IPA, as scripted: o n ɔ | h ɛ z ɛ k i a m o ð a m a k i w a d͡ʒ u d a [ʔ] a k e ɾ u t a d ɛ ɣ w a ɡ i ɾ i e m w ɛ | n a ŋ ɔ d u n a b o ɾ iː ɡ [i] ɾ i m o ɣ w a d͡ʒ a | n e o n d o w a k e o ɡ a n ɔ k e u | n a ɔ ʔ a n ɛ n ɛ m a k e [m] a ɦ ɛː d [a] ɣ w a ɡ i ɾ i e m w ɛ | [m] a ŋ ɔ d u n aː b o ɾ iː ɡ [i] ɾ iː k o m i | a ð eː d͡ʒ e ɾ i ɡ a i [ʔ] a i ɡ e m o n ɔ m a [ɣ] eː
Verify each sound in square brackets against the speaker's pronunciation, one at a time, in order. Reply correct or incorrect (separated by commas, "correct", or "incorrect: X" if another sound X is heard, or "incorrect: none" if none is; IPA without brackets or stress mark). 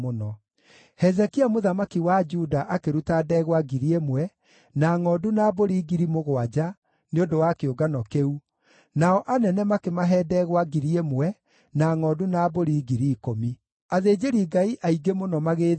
correct, correct, correct, incorrect: ɛ, incorrect: n, correct, correct, correct